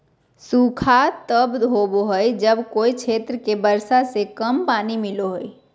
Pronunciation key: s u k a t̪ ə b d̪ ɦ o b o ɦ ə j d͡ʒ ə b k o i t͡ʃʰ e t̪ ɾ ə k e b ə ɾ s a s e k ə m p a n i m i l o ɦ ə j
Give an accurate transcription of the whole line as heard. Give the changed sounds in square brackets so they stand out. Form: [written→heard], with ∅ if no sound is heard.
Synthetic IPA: s u [k→kʰ] a t̪ ə b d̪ ɦ o b o ɦ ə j d͡ʒ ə b k o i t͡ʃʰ e t̪ ɾ ə k e b ə ɾ s a s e k ə m p a n i m i l o ɦ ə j